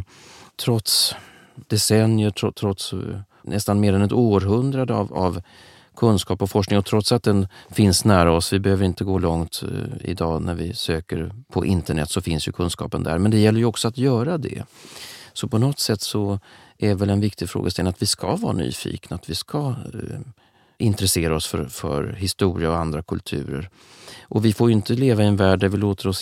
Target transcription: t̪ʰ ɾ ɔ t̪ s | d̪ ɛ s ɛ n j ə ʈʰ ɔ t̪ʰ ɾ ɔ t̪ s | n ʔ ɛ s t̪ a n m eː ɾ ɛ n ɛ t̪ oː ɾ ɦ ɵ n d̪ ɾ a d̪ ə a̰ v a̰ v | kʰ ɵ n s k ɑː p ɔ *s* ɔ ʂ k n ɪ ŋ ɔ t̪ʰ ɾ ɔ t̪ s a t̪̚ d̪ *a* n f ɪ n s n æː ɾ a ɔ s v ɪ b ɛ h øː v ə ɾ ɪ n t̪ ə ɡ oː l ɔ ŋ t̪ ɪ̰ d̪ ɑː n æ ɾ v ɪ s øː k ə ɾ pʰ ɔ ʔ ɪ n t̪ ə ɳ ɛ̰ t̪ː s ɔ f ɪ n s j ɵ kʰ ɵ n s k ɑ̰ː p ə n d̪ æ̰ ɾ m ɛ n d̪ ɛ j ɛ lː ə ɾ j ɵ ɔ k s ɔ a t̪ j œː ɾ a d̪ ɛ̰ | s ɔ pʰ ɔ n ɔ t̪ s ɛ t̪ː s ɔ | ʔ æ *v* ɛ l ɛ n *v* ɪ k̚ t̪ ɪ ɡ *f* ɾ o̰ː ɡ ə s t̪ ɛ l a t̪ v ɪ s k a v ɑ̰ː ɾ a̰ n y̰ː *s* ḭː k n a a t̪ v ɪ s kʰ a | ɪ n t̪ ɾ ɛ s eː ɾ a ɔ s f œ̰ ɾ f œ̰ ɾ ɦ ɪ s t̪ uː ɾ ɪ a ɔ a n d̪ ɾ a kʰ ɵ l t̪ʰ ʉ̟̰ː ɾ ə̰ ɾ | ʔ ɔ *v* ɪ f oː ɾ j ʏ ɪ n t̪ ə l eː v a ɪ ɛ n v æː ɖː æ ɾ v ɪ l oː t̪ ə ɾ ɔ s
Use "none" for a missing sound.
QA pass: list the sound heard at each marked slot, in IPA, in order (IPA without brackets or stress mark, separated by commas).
f, ɛ, v, v, f, f, v